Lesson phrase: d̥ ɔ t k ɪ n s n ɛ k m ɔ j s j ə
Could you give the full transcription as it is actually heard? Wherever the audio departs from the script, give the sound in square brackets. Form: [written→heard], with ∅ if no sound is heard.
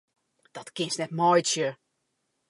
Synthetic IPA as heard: d̥ ɔ t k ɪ n s n ɛ [k→t] m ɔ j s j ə